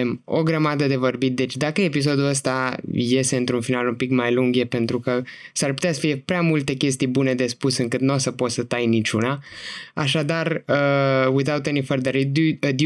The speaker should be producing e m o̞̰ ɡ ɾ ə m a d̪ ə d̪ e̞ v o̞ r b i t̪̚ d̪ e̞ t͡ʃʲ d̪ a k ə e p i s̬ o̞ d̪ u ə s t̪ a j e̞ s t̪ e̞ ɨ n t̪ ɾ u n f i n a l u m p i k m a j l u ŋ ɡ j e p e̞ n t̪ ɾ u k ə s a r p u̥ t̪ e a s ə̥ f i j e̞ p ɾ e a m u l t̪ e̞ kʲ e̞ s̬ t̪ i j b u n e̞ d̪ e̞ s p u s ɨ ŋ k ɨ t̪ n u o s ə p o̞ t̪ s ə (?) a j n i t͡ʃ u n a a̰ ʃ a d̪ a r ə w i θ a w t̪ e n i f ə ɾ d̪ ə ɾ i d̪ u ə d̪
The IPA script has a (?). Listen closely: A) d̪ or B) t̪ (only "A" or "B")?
B